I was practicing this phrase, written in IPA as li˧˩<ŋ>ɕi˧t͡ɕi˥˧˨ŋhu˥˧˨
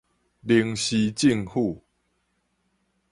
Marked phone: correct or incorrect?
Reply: correct